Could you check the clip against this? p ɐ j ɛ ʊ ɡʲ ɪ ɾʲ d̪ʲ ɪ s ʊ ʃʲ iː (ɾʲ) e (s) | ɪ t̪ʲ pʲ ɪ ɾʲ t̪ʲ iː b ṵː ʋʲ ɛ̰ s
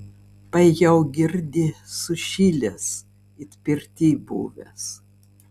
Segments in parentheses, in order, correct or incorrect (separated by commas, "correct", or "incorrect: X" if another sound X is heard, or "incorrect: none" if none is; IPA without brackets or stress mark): incorrect: lʲ, correct